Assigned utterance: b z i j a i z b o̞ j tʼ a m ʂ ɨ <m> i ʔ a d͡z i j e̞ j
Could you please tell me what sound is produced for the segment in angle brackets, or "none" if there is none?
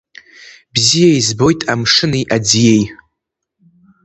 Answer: n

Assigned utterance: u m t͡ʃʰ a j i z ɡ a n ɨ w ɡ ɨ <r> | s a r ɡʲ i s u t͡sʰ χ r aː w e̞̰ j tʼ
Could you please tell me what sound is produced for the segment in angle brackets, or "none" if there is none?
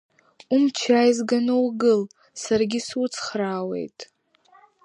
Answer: l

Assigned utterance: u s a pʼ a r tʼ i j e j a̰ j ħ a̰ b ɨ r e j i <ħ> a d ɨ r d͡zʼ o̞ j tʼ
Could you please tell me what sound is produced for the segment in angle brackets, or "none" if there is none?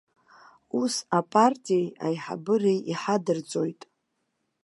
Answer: ħ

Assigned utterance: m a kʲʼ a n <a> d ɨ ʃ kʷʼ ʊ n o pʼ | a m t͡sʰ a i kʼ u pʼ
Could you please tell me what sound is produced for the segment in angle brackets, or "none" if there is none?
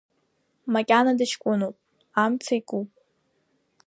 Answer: a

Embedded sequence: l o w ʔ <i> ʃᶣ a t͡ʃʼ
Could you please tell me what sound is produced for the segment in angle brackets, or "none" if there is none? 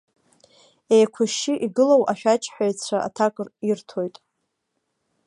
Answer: a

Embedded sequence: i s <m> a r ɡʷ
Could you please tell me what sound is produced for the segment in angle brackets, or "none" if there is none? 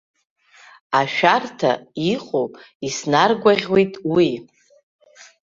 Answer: n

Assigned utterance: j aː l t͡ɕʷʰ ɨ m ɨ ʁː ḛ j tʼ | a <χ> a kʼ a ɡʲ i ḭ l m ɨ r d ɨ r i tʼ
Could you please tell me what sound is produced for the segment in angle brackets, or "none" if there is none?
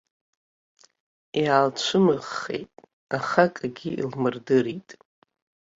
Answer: χ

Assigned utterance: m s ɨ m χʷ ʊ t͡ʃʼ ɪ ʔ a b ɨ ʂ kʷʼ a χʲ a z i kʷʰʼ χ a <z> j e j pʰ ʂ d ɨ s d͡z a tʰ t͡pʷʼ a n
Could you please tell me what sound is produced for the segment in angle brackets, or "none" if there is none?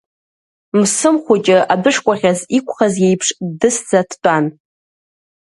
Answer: z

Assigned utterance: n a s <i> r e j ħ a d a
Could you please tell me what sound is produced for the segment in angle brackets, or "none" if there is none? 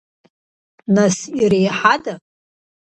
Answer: i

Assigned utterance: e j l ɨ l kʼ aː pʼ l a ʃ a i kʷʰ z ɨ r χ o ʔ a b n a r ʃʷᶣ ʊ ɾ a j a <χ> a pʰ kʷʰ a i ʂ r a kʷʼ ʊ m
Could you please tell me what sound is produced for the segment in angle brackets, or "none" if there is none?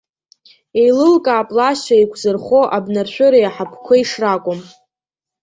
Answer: ħ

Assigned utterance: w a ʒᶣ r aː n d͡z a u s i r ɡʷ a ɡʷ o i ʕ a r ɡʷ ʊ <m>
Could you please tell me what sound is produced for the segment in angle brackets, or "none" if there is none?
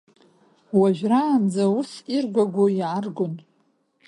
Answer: n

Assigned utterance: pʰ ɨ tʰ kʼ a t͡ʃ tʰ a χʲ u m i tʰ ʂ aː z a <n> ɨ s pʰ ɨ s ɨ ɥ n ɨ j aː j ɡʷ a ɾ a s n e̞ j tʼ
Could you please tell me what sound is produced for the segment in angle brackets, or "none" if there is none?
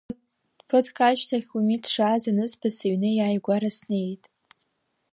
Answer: n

